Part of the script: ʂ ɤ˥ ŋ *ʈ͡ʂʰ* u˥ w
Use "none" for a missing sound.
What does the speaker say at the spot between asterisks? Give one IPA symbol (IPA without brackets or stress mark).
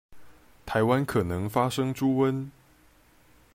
ʈ͡ʂ